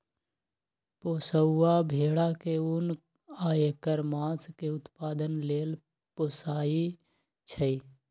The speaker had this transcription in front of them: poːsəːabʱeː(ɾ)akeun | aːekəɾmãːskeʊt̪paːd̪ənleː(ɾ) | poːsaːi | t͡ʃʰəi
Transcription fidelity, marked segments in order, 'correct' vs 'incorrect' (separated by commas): incorrect, incorrect